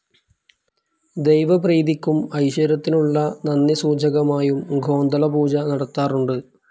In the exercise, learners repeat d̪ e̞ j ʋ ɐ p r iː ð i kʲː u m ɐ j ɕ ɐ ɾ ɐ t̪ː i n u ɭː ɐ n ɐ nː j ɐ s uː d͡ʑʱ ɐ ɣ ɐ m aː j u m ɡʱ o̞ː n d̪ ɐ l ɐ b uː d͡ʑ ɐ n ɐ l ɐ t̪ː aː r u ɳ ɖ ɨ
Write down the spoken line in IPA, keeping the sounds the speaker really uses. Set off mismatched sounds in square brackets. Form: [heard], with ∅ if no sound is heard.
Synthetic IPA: d̪ e̞ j ʋ ɐ p r iː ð i kʲː u m ɐ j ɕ ɐ ɾ ɐ t̪ː i n u ɭː ɐ n ɐ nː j ɐ s uː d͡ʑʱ ɐ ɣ ɐ m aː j u m ɡʱ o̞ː n d̪ ɐ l ɐ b uː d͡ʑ ɐ n ɐ [ɽ] ɐ t̪ː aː r u ɳ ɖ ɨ